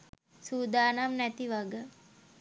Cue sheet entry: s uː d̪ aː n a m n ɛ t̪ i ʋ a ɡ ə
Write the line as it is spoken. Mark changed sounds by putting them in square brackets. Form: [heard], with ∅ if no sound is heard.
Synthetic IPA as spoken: s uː d̪ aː n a m n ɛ t̪ i ʋ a ɡ ə